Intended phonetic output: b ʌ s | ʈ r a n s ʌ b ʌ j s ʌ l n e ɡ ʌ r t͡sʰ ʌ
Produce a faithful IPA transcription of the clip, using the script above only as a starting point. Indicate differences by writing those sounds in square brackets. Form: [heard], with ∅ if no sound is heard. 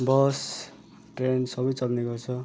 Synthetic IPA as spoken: b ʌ s | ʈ r [e] n s ʌ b ʌ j [t͡s] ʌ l n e ɡ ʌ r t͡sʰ ʌ

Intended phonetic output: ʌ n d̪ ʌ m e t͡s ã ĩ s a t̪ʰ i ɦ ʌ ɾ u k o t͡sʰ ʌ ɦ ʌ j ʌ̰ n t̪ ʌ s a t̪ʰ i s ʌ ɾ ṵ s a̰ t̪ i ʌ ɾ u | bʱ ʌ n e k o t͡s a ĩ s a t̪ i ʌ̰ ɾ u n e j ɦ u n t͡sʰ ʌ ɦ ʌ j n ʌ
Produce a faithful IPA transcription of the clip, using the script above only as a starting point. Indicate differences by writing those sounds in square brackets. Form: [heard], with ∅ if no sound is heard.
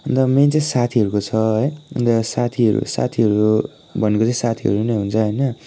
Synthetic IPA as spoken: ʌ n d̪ ʌ m e t͡s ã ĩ s a t̪ʰ i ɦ ʌ ɾ u k o t͡sʰ ʌ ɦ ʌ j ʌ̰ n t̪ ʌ s a t̪ʰ i [∅] ʌ ɾ ṵ s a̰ [t̪ʰ] i ʌ ɾ u | bʱ ʌ n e k o t͡s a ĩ s a [t̪ʰ] i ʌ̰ ɾ u n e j ɦ u n t͡sʰ ʌ ɦ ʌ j n ʌ

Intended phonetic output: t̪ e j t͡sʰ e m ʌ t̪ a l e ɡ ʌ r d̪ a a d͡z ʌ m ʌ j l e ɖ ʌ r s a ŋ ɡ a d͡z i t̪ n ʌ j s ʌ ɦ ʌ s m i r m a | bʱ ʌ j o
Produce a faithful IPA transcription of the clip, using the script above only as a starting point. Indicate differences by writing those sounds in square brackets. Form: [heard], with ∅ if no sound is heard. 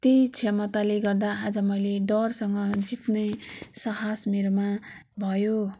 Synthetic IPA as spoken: t̪ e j t͡sʰ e m ʌ t̪ a l e ɡ ʌ r d̪ a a d͡z ʌ m ʌ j l e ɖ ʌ r s [ʌ] ŋ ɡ [ʌ] d͡z i t̪ n ʌ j s ʌ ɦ [a] s m i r m a | bʱ ʌ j o

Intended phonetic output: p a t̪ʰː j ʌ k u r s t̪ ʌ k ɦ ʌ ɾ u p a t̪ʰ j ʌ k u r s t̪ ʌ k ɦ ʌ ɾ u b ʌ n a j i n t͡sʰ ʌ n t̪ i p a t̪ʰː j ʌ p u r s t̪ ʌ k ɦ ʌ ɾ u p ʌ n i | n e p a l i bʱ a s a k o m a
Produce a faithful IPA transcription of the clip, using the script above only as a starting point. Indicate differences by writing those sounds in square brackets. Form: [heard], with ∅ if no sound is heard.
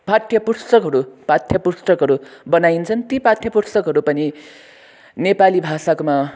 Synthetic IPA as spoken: p a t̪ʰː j ʌ [p] u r s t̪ ʌ k ɦ ʌ ɾ u p a t̪ʰ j ʌ [p] u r s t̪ ʌ k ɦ ʌ ɾ u b ʌ n a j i n t͡sʰ ʌ n t̪ i p a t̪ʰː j ʌ p u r s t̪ ʌ k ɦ ʌ ɾ u p ʌ n i | n e p a l i bʱ a s a k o m a

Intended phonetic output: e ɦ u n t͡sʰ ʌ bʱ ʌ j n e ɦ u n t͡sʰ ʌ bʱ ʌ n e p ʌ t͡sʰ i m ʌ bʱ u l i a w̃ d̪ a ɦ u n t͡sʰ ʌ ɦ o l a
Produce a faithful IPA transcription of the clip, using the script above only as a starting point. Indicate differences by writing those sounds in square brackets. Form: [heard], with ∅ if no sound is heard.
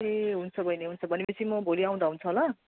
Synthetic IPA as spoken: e ɦ u n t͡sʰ ʌ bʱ ʌ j n e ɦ u n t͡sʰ ʌ bʱ ʌ n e p ʌ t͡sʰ i m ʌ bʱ [o] l i a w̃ d̪ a ɦ u n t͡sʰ ʌ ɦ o l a

